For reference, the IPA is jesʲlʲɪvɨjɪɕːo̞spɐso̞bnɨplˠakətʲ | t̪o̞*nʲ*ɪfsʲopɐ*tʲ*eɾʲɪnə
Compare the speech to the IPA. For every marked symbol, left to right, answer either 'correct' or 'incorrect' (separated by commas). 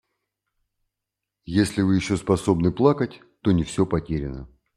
correct, correct